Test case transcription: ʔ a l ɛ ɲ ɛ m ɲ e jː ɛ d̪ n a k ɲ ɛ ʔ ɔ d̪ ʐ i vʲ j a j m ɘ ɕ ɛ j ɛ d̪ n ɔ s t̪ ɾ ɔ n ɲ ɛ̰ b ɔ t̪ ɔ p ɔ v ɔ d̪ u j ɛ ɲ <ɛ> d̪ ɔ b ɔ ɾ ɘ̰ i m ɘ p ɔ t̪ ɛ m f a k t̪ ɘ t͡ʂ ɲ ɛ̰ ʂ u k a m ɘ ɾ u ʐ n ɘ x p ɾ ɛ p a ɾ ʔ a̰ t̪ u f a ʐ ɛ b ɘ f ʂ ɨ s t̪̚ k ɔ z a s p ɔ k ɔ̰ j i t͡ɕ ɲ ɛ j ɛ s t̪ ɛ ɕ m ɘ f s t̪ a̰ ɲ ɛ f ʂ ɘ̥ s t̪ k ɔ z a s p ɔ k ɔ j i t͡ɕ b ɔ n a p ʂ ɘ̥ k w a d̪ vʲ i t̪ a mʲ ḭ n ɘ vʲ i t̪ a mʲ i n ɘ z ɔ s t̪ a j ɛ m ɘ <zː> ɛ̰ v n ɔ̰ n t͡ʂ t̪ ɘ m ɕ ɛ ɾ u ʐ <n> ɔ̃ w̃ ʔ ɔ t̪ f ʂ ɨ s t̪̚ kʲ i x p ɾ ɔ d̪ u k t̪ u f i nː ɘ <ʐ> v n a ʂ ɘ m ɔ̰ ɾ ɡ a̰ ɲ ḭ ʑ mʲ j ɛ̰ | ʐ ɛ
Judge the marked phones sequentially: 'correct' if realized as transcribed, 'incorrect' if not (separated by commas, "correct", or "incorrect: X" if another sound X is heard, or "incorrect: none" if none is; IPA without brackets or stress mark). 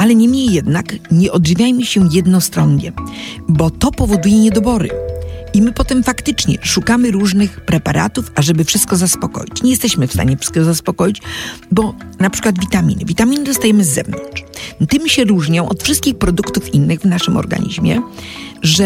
correct, correct, incorrect: ɲ, incorrect: ɣ